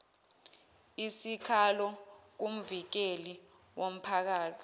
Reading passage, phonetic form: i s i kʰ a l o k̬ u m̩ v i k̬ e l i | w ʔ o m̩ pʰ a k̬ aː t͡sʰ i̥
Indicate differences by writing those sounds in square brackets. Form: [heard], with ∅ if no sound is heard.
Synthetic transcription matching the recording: i s i kʰ a l [ɔ] k̬ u m̩ v i k̬ e l i | w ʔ o m̩ pʰ a k̬ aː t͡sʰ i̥